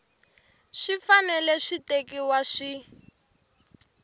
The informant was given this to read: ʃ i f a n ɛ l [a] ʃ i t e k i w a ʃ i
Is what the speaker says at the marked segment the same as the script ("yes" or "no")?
no